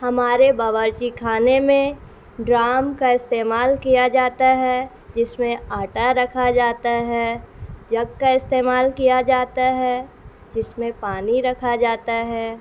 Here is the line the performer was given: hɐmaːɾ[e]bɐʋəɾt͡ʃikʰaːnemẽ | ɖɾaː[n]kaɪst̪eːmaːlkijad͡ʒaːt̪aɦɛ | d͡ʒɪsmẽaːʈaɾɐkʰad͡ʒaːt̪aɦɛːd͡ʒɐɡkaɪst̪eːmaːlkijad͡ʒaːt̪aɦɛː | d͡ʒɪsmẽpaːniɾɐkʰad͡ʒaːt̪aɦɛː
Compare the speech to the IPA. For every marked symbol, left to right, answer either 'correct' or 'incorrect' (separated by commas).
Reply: correct, incorrect